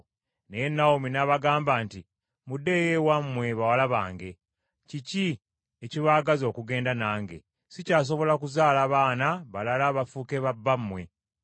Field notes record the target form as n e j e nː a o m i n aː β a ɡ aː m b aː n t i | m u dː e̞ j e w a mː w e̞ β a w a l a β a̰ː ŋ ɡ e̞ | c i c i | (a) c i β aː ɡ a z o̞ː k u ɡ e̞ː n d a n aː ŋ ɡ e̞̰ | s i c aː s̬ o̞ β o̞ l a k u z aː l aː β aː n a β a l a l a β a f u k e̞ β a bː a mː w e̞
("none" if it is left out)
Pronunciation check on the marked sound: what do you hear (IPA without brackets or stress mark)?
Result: e